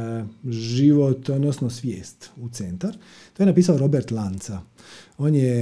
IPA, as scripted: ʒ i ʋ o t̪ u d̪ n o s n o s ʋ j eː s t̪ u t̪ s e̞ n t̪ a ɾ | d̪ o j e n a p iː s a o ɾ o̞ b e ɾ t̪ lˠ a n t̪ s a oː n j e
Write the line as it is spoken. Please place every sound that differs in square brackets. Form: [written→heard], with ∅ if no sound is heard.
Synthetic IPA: ʒ i ʋ o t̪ [u→o] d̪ n o s n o s ʋ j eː s t̪ u t̪ s e̞ n t̪ a ɾ | [d̪→t̪] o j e n a p iː s a o ɾ o̞ b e ɾ t̪ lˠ a n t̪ s a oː n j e